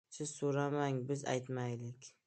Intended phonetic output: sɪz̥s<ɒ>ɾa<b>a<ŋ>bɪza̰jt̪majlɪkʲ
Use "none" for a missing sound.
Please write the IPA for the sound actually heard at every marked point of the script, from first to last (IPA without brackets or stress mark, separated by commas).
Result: o, m, ŋ